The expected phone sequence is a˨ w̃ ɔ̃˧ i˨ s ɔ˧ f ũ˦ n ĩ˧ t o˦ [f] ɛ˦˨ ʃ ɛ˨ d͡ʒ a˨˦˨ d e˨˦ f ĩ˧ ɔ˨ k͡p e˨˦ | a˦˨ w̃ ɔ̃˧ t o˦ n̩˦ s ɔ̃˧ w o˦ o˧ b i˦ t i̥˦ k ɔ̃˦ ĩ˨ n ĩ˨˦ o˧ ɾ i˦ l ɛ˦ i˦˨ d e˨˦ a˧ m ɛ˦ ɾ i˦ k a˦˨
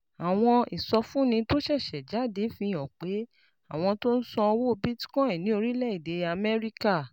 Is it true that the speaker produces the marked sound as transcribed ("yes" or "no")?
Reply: no